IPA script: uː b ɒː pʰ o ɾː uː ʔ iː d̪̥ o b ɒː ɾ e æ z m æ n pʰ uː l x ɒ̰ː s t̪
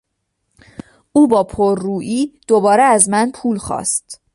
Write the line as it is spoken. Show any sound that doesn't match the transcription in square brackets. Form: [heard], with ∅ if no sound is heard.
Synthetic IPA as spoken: uː b ɒː pʰ o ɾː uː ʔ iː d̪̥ o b ɒː ɾ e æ z m æ n pʰ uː l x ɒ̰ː s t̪